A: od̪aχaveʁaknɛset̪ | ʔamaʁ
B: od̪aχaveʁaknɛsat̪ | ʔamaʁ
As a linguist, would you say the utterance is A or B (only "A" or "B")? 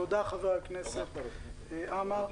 A